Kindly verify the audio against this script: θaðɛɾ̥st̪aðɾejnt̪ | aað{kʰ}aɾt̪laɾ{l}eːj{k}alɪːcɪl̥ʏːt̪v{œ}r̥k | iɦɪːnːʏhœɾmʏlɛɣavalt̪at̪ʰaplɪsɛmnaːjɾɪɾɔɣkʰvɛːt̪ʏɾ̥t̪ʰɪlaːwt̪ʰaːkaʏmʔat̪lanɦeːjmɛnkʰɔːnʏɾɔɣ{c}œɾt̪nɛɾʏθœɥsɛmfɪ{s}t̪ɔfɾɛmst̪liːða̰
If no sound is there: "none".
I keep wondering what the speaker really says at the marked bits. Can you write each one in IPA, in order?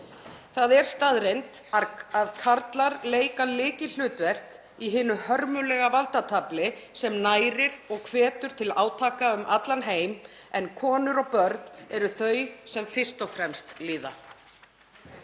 kʰ, l, k, ɛ, p, s

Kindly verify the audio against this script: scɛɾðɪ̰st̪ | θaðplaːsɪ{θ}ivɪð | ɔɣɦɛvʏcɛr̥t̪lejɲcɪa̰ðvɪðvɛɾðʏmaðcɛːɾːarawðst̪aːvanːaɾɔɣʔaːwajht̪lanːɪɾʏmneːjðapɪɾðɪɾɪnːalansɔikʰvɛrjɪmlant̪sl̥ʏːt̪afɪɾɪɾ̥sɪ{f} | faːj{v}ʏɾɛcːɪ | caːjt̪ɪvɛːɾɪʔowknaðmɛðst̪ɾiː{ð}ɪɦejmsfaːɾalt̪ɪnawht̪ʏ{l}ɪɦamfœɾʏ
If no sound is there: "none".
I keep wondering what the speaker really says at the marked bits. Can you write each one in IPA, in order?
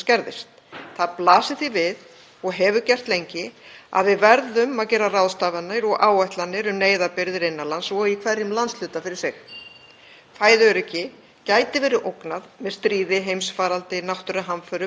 θ, x, ð, ð, ɾ

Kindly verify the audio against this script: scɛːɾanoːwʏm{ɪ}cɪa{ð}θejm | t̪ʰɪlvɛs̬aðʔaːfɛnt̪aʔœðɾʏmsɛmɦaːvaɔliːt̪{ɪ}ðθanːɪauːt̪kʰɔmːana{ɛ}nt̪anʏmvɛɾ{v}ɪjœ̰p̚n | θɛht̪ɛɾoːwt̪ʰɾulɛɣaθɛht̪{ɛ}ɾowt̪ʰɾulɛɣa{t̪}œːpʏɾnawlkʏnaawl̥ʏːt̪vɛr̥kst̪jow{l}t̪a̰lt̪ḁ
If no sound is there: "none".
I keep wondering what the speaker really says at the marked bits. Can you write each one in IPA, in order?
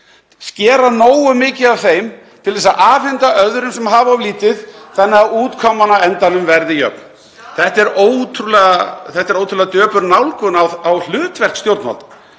ɪː, v, ɪ, ɛ, ð, ɛ, t̪, ɾ

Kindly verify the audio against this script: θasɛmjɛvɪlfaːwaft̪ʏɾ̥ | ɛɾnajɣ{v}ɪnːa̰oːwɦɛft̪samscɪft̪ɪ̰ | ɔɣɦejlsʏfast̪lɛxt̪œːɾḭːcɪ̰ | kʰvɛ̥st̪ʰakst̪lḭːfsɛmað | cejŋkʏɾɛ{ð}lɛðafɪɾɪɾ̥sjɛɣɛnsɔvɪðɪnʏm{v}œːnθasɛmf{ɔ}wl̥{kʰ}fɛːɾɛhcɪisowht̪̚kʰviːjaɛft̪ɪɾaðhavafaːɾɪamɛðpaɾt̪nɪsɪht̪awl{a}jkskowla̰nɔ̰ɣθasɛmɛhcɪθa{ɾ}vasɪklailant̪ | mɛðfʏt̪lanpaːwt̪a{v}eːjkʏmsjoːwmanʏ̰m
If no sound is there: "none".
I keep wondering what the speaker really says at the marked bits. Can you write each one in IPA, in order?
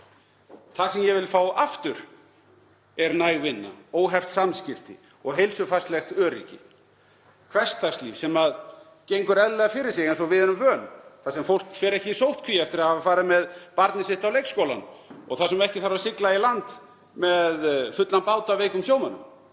v, ð, v, o, k, e, ɾ, v

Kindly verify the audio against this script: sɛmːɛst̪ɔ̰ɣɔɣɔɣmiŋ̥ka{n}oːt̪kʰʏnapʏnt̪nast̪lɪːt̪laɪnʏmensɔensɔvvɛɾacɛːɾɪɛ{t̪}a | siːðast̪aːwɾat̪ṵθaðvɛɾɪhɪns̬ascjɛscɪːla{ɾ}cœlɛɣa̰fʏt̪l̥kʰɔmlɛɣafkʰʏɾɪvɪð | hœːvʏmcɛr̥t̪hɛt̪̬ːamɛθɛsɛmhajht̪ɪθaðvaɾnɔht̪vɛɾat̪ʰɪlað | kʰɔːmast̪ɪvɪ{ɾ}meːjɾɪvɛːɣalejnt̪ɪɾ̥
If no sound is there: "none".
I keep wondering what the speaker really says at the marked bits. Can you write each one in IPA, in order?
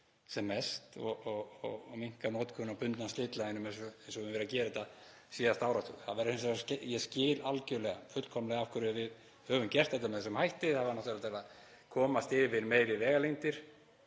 n, t̪, l, ɾ

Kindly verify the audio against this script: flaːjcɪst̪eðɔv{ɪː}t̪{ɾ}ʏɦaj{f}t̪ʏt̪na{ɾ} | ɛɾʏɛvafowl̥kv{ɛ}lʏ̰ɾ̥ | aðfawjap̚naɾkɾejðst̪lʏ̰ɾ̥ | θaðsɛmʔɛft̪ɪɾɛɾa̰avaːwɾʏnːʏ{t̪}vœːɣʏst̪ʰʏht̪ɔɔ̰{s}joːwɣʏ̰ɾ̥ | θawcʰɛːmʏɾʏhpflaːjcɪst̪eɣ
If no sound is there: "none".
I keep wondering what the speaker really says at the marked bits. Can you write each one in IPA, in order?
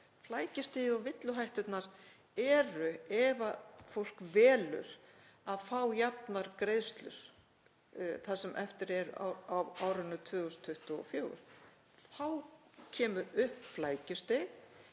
ɪ, l, h, ɾ, ɛː, t̪ʰ, f

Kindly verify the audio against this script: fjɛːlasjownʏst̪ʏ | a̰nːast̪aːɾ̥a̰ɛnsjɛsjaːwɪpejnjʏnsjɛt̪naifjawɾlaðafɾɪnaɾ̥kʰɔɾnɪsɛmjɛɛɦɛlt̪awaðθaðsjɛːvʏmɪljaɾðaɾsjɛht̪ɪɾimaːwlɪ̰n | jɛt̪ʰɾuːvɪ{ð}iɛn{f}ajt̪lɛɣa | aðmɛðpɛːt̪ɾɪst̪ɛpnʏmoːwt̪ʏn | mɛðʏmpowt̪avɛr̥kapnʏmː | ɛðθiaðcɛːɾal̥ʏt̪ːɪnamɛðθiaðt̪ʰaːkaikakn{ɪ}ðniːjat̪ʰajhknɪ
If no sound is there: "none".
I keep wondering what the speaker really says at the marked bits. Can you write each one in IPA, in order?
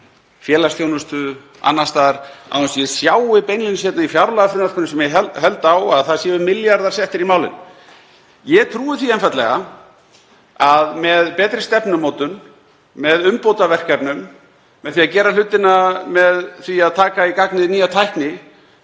θ, f, ɪ

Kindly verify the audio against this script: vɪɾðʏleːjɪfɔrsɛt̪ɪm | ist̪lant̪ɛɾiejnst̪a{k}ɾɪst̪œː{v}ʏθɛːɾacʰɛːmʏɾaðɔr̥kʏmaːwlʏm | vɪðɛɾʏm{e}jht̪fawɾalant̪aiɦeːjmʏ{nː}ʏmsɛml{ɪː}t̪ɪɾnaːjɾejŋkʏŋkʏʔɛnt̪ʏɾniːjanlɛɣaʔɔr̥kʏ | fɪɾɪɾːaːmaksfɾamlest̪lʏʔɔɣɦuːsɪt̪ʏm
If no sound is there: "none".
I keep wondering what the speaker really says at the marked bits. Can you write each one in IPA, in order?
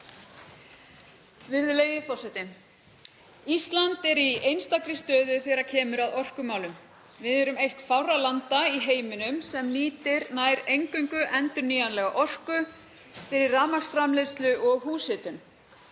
k, ð, e, n, iː

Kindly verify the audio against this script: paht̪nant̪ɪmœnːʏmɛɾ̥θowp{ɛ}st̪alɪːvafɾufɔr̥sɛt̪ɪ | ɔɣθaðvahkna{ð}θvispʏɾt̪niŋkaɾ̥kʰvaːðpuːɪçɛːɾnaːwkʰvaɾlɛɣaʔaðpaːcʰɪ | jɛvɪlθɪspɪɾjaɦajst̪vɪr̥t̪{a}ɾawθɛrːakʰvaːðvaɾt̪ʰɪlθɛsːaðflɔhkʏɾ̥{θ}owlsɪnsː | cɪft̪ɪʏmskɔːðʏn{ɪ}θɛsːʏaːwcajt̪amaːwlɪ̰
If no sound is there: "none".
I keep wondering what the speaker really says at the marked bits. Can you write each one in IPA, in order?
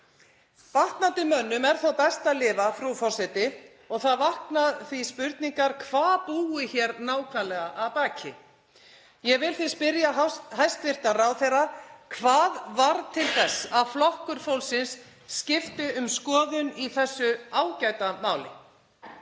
ɛ, ð, a, f, i

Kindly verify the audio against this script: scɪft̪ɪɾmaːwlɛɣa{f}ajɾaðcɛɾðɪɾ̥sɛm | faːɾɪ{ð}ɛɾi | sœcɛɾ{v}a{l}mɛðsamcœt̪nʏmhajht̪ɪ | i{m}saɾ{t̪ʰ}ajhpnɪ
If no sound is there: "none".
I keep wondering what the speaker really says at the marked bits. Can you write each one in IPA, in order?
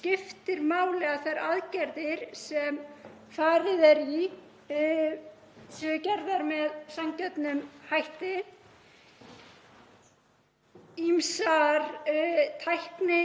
θ, ð, ð, ɾ, m, t̪ʰ

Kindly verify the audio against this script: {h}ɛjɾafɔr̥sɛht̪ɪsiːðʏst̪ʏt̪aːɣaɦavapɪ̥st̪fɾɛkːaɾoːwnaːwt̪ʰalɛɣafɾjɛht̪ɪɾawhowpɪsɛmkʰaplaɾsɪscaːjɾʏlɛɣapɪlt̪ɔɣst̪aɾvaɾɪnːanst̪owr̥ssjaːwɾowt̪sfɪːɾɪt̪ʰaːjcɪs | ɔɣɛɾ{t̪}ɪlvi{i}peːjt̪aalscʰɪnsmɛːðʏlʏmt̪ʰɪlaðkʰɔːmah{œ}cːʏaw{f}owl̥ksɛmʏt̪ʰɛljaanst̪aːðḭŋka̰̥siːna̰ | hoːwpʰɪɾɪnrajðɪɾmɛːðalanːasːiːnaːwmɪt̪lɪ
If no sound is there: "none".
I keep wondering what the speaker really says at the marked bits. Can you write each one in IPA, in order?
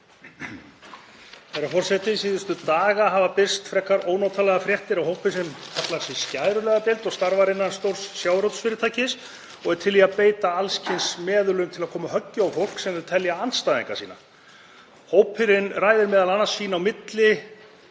θ, t̪ʰ, a, œ, f

